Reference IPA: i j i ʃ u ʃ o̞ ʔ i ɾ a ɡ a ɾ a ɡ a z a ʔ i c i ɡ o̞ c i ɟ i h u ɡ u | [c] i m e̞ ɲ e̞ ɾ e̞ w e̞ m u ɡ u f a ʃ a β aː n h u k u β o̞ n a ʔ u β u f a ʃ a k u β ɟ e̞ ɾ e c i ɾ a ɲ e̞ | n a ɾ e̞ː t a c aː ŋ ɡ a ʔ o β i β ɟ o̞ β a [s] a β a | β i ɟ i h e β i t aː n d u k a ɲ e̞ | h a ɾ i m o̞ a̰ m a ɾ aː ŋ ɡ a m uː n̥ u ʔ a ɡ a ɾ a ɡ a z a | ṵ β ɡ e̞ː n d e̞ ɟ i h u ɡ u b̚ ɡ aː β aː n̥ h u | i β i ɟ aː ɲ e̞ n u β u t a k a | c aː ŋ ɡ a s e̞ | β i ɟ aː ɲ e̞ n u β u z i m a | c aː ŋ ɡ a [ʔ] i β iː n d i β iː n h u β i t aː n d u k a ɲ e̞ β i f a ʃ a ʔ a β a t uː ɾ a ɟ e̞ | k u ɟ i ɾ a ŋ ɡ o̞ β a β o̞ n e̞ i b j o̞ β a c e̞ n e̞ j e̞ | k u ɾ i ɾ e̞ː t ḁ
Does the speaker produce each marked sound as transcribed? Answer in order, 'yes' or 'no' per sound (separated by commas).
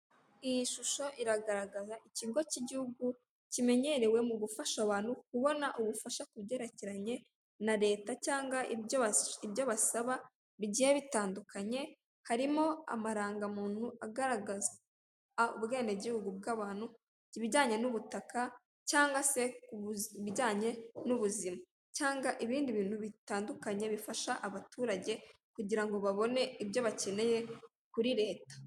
yes, yes, yes